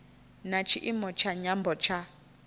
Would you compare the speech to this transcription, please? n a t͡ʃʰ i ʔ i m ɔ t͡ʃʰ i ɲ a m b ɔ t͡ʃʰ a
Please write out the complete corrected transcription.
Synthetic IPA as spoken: n a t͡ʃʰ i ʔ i m ɔ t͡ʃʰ a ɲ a m b ɔ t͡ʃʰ a